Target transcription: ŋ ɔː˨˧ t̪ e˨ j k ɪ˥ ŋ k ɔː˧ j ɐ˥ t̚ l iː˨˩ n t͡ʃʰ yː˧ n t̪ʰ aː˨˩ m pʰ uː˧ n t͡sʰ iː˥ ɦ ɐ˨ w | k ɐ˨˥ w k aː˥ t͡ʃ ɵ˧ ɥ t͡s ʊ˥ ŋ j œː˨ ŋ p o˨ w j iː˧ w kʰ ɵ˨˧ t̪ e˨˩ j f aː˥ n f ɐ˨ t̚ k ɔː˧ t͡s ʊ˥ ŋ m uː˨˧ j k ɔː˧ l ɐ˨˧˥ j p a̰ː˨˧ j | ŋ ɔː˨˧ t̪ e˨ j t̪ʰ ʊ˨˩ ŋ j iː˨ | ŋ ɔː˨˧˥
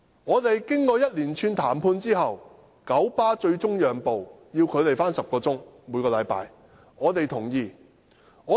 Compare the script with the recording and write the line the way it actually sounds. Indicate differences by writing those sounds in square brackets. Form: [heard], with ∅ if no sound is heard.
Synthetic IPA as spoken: ŋ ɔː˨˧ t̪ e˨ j k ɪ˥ ŋ k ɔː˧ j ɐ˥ t̚ l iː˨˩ n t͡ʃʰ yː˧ n t̪ʰ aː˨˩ m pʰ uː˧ n [t͡s] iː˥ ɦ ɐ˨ w | k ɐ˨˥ w [p] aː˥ t͡ʃ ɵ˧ ɥ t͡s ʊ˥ ŋ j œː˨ ŋ p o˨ w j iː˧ w kʰ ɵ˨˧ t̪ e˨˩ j f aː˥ n [s] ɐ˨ [p̚] k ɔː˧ t͡s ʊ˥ ŋ m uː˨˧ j k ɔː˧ l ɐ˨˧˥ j p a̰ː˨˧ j | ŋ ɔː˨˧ t̪ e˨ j t̪ʰ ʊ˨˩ ŋ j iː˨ | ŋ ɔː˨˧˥